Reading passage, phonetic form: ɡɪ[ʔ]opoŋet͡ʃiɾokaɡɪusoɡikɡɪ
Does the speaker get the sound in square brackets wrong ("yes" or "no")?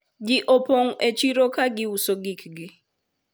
no